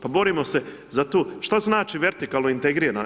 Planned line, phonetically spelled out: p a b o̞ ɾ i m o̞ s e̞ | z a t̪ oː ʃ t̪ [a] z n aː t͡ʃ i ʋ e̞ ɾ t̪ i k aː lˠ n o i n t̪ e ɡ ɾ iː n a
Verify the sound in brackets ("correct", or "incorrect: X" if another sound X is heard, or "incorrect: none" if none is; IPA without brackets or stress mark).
correct